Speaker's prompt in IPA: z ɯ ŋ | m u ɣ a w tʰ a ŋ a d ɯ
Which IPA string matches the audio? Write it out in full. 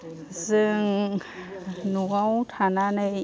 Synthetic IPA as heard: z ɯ ŋ | n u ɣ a w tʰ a n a n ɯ

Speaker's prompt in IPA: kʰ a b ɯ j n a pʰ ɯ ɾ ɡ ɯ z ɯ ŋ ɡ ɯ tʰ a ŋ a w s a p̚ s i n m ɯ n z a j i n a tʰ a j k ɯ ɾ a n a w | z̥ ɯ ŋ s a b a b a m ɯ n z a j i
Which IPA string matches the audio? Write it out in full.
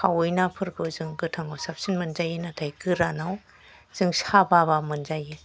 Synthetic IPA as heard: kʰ a w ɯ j n a pʰ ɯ ɾ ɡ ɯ z ɯ ŋ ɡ ɯ tʰ a ŋ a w s a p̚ s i n m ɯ n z a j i n a tʰ a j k ɯ ɾ a n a w | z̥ ɯ ŋ s a b a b a m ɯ n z a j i

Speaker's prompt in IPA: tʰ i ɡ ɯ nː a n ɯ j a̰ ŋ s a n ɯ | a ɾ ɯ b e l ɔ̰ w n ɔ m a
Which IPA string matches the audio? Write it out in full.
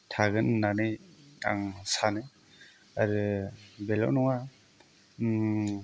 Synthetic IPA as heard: tʰ a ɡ ɯ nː a n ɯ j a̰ ŋ s a n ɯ | a ɾ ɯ b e l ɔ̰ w n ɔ ŋ a

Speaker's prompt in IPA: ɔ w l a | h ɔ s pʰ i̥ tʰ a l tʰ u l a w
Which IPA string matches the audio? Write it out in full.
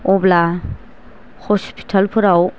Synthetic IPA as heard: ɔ b l a | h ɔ s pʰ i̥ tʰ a l pʰ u ɾ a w

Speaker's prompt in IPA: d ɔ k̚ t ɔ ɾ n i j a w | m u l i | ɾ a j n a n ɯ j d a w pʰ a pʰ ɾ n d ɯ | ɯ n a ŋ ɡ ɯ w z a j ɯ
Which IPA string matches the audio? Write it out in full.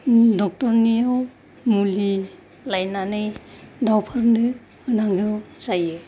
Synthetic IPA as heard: d ɔ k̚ t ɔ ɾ n i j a w | m u l i | l a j n a n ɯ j d a w pʰ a ɾ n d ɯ | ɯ n a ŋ ɡ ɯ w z a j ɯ

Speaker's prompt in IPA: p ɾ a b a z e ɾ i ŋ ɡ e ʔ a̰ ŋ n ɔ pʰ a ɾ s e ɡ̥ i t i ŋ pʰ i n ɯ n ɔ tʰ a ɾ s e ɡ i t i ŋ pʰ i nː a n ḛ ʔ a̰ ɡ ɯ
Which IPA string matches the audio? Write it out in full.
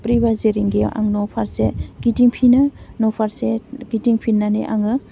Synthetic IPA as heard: p ɾ i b a z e ɾ i ŋ ɡ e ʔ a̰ ŋ n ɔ pʰ a ɾ s e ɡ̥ i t i ŋ pʰ i n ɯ n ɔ pʰ a ɾ s e ɡ i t i ŋ pʰ i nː a n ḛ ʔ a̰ ŋ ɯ

